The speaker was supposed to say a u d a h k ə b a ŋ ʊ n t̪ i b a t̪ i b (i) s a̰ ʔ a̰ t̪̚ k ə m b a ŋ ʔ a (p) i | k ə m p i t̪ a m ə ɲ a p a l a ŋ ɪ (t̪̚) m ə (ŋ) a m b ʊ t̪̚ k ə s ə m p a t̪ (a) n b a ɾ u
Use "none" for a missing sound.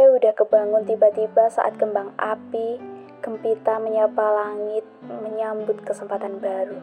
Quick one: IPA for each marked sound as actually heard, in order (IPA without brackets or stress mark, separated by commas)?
a, p, t̪̚, ɲ, a